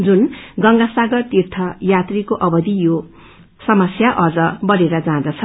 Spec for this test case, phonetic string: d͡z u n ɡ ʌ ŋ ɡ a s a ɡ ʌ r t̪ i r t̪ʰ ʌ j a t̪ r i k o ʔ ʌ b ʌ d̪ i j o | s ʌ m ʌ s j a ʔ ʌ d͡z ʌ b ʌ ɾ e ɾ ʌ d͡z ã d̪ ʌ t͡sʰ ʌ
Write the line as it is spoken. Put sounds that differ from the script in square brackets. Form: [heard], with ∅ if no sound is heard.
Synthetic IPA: d͡z u n ɡ ʌ ŋ ɡ a s a ɡ ʌ r t̪ i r t̪ʰ ʌ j a t̪ r i k o ʔ ʌ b ʌ d̪ i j o | s ʌ m ʌ s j a ʔ ʌ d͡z ʌ b ʌ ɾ e ɾ ʌ d͡z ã d̪ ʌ t͡sʰ ʌ